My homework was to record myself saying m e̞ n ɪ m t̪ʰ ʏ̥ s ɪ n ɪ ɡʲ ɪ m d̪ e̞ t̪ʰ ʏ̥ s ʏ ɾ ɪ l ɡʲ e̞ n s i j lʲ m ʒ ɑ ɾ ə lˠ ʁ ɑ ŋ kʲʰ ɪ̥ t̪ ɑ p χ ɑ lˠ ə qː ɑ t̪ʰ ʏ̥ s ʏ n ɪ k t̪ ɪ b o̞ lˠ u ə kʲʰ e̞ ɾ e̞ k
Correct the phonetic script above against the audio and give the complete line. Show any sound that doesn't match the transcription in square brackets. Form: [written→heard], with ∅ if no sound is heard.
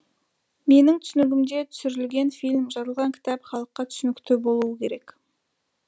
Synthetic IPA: m e̞ n ɪ [m→ŋ] t̪ʰ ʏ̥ s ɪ n ɪ ɡʲ ɪ m d̪ e̞ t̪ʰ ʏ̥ s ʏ ɾ ɪ l ɡʲ e̞ n [s→f] i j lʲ m ʒ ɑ ɾ ə lˠ ʁ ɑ ŋ kʲʰ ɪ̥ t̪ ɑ p χ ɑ lˠ ə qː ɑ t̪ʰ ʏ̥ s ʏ n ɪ k t̪ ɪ b o̞ lˠ u ə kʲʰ e̞ ɾ e̞ k

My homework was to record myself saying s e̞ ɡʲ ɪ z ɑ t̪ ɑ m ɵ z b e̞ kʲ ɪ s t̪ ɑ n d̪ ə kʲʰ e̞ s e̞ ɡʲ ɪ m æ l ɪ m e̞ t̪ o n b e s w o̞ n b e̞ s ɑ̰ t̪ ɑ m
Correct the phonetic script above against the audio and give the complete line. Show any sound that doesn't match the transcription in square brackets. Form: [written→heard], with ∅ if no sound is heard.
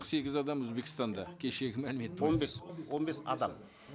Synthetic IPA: s e̞ ɡʲ ɪ z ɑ [t̪→d̪] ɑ m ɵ z b e̞ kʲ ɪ s t̪ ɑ n d̪ [ə→ɑ] kʲʰ e̞ [s→ʃ] e̞ ɡʲ ɪ m æ l ɪ m e̞ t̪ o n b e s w o̞ n b e̞ s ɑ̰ [t̪→d̪] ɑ m

